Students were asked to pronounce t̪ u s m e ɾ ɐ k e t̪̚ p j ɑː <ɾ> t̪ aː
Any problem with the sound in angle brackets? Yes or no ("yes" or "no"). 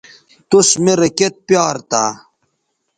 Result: no